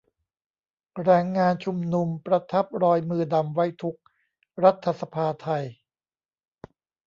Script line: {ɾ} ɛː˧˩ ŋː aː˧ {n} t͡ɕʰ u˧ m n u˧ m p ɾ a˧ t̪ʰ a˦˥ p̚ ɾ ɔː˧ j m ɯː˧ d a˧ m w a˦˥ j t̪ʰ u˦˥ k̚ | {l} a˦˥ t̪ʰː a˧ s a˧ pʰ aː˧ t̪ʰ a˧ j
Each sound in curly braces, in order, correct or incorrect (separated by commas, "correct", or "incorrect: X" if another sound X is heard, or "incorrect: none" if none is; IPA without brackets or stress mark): correct, correct, incorrect: ɾ